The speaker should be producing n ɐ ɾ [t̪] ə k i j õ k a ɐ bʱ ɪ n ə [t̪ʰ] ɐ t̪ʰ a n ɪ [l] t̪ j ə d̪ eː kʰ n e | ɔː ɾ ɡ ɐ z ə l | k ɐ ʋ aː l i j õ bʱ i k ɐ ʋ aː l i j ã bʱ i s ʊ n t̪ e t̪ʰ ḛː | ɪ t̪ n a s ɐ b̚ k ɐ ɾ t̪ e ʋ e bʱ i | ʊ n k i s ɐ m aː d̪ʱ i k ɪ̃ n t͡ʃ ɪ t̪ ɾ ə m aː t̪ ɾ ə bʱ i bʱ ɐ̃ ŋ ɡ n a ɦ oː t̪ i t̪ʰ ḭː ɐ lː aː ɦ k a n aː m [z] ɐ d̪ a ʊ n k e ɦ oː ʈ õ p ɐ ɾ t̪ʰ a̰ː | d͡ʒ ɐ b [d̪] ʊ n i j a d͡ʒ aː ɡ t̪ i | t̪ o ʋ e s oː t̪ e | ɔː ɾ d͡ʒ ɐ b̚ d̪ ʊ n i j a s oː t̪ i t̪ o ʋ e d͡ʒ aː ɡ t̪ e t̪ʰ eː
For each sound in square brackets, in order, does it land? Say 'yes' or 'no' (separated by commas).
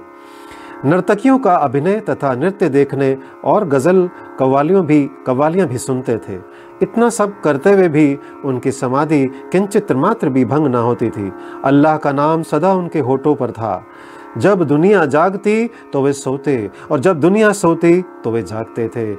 yes, no, no, no, yes